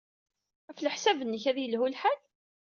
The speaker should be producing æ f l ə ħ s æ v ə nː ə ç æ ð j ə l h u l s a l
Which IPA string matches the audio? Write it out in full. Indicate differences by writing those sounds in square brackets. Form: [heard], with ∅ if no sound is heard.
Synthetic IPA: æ f l ə ħ s æ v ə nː ə ç æ ð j ə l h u l [ħ] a l

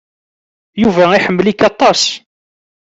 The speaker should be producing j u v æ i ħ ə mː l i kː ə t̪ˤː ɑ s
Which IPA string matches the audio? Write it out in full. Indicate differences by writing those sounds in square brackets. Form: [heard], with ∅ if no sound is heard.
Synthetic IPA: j u v æ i ħ ə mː l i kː [ɑ] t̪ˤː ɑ s

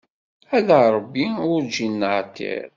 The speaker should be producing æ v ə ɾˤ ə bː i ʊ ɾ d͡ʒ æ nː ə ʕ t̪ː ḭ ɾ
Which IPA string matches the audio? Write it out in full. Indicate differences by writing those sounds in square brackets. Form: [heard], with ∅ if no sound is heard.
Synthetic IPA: æ [ð] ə ɾˤ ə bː i ʊ ɾ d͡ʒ [i] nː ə ʕ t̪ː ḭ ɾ

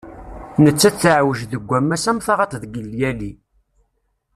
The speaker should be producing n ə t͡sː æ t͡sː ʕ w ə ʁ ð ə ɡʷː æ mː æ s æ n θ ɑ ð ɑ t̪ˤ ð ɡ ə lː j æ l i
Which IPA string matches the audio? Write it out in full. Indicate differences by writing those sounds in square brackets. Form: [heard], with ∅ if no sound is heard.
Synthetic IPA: n ə t͡sː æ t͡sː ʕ w ə [ʒ] ð ə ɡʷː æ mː æ s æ [m] θ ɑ [ʁ] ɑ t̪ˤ ð ɡ ə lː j æ l i

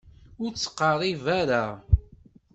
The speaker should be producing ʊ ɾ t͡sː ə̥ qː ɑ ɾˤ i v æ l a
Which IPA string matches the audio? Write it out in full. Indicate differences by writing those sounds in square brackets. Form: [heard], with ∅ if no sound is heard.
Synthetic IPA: ʊ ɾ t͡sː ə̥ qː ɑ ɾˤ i v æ [ɾ] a

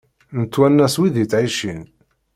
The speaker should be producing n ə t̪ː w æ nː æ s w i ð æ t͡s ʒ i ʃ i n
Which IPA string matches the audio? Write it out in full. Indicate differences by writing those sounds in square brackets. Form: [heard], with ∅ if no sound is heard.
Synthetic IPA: n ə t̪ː w æ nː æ s w i ð [i] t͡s [ʕ] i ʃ i n

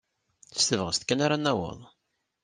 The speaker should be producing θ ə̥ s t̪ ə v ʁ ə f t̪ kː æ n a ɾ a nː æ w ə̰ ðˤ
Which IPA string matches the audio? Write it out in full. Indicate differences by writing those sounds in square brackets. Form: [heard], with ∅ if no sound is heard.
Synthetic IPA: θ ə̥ s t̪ ə v ʁ ə [s] t̪ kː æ n a ɾ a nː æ w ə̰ ðˤ

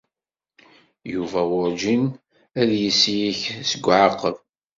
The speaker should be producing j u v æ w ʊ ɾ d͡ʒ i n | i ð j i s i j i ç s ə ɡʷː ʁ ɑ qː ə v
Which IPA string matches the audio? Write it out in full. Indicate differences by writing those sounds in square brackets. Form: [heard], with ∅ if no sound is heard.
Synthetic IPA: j u v æ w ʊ ɾ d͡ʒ i n | [æ] ð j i s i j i ç s ə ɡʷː [ʕ] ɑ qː ə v

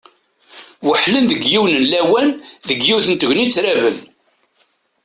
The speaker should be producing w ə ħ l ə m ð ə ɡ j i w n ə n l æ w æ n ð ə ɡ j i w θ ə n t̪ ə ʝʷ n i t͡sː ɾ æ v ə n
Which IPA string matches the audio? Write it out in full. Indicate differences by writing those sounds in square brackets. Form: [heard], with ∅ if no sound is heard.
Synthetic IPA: w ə ħ l ə [n] ð ə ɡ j i w n ə n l æ w æ n ð ə ɡ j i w θ ə n t̪ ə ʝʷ n i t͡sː ɾ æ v ə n

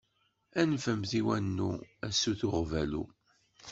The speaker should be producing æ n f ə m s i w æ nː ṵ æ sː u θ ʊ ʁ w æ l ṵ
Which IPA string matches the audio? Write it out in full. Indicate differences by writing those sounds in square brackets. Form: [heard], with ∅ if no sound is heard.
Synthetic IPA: æ n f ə m [θ] i w æ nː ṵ æ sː u θ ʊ ʁ [v] æ l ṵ

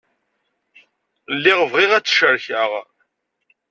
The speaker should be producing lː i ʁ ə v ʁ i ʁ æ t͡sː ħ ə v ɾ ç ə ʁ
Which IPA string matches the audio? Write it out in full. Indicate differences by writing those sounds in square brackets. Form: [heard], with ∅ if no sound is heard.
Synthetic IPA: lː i ʁ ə v ʁ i ʁ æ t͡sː [ʃ] ə [∅] ɾ ç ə ʁ

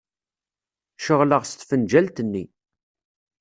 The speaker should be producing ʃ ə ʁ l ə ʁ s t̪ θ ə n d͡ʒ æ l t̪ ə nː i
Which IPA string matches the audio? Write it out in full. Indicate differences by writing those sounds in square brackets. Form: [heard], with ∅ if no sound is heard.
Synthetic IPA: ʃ ə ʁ l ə ʁ s t̪ [f] ə n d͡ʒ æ l t̪ ə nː i

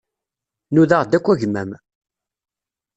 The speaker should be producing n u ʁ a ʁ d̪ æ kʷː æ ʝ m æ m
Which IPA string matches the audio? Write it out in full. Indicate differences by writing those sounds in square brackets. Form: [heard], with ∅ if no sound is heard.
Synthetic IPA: n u [ð] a ʁ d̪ æ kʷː æ ʝ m æ m

